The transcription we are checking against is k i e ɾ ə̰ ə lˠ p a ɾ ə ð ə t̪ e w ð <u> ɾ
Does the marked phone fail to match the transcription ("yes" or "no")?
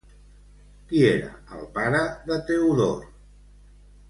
yes